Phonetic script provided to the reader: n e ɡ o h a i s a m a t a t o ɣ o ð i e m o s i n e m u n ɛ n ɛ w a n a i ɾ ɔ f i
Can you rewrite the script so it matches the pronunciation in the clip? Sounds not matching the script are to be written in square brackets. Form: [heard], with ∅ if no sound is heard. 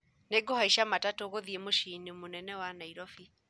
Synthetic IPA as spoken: n e ɡ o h a i [ʃ] a m a t a t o ɣ o ð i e m o [ʃ] i n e m [o] n ɛ n ɛ w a n a i ɾ ɔ f i